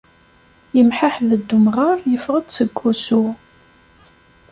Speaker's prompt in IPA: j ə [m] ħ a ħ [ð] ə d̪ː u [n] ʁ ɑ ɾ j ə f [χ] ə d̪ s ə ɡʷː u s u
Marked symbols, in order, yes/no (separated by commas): yes, yes, no, no